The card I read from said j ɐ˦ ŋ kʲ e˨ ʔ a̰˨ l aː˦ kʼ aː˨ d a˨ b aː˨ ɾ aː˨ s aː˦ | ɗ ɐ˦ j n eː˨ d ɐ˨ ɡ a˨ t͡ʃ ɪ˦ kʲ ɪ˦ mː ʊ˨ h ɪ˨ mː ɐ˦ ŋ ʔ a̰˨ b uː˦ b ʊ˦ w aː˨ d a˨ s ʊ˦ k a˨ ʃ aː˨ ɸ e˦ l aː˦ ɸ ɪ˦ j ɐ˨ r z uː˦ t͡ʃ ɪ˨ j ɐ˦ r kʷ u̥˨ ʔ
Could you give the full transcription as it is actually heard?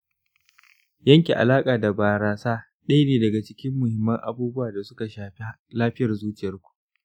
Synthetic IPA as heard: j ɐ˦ ŋ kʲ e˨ ʔ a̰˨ l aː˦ kʼ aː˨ d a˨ b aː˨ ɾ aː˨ s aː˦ | ɗ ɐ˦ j n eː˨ d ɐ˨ ɡ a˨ t͡ʃ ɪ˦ kʲ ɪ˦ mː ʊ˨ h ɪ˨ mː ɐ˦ ŋ ʔ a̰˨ b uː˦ b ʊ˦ w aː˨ d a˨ s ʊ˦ k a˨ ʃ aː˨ ɸ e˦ l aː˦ ɸ ɪ˦ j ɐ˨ r z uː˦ t͡ʃ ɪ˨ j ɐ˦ r kʷ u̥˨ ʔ